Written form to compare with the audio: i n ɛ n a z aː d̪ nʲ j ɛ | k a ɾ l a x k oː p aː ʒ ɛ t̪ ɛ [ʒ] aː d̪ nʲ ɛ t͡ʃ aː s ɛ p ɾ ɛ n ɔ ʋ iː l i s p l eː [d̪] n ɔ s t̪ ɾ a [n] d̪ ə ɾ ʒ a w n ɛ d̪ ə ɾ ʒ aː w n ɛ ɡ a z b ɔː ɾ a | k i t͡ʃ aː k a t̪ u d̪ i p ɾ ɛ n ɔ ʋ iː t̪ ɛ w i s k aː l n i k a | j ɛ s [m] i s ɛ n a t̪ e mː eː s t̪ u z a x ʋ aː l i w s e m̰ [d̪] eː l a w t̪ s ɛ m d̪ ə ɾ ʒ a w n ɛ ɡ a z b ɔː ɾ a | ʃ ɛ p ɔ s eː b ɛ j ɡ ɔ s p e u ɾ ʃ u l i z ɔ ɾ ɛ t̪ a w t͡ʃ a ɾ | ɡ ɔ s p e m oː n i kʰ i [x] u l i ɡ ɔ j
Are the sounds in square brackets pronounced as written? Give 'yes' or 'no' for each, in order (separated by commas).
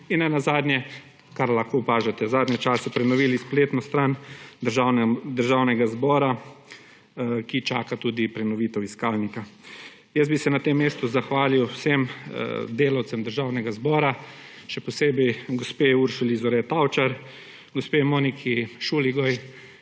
no, no, yes, no, yes, no